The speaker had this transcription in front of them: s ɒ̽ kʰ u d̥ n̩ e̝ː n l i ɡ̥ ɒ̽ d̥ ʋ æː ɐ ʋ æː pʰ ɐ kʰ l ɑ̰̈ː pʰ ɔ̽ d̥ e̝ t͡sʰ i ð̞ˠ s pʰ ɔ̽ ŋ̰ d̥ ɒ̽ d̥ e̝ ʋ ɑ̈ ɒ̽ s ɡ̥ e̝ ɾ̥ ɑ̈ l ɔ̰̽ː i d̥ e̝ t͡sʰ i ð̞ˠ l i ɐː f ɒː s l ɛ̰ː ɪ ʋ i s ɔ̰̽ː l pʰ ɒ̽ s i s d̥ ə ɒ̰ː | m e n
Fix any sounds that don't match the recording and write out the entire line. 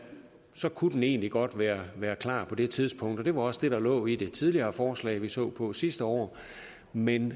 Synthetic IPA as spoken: s ɒ̽ kʰ u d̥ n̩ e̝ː n l i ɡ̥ ɒ̽ d̥ ʋ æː ɐ ʋ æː ɐ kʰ l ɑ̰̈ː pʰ ɒ̽ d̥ e̝ t͡sʰ i ð̞ˠ s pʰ ɔ̽ ŋ̰ d̥ ɒ̽ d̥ e̝ ʋ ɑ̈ ɒ̽ s d̥ e̝ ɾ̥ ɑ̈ l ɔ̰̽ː i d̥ e̝ t͡sʰ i ð̞ˠ l i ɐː f ɒː s l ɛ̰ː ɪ ʋ i s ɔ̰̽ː pʰ ɒ̽ s i s d̥ ə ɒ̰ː | m e n